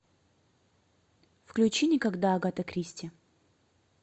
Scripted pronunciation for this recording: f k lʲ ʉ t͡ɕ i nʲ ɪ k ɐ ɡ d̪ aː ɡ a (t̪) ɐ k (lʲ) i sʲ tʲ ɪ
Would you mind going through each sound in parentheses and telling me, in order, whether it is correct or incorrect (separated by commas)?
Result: correct, incorrect